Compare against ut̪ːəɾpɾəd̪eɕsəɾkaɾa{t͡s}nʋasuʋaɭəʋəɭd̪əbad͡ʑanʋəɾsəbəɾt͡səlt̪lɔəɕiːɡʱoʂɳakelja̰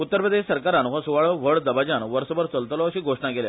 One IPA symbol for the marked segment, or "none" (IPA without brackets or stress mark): none